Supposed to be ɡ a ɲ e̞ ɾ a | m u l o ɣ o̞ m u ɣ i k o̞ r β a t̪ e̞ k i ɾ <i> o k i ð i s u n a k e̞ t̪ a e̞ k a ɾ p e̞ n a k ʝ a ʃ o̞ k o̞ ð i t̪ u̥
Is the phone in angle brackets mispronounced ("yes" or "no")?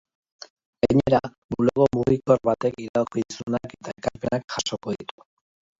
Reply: yes